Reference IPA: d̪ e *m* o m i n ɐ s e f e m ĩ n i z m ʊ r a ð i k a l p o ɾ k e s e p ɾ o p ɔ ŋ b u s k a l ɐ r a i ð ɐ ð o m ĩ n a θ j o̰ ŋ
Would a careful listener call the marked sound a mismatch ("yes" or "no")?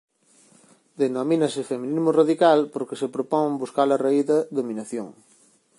yes